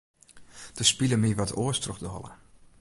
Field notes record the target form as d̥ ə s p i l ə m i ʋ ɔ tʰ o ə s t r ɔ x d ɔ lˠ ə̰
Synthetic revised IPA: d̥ ə s p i l ə m i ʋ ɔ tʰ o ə s t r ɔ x d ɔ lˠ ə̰